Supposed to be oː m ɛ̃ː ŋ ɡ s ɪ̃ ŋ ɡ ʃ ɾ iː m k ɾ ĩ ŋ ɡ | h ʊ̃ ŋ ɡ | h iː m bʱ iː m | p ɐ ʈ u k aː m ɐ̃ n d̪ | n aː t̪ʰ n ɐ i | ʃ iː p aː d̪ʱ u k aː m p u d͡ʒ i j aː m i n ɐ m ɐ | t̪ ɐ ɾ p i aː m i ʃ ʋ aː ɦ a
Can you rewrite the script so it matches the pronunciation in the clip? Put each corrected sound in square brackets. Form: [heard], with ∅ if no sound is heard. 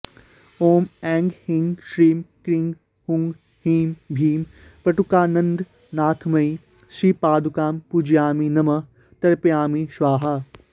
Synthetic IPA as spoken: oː m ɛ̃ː ŋ ɡ [h] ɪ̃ ŋ ɡ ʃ ɾ iː m k ɾ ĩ ŋ ɡ | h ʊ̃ ŋ ɡ | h iː m bʱ iː m | p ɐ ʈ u k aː [n] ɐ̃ n d̪ | n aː t̪ʰ [m] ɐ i | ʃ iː p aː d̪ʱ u k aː m p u d͡ʒ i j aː m i n ɐ m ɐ | t̪ ɐ ɾ p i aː m i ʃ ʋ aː ɦ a